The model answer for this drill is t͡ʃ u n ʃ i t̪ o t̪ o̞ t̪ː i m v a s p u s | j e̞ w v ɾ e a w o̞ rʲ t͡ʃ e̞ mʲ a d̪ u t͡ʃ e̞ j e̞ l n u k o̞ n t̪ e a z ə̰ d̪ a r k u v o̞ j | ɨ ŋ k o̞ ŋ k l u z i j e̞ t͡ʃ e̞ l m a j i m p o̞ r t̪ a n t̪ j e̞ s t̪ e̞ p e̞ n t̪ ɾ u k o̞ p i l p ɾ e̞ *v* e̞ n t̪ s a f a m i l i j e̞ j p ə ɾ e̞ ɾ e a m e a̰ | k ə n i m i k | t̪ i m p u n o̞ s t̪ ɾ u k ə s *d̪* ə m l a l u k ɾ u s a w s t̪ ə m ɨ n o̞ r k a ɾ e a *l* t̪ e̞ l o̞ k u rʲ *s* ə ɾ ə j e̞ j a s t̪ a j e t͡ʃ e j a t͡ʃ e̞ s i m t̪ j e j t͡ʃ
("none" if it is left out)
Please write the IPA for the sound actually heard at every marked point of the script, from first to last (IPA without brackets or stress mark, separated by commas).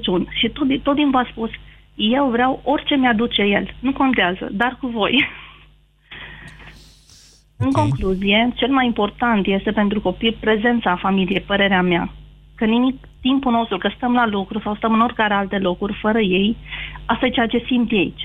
z, t̪, l, f